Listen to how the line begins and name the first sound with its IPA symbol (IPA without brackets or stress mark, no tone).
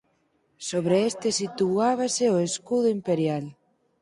s